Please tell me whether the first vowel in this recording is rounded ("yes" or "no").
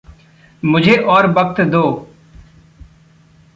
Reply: yes